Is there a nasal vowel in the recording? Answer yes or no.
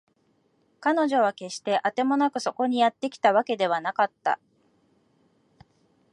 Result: no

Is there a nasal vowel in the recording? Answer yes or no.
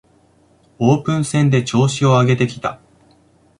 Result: yes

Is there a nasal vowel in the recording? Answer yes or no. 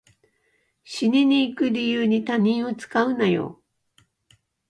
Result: yes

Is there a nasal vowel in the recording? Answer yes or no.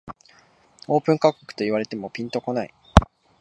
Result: yes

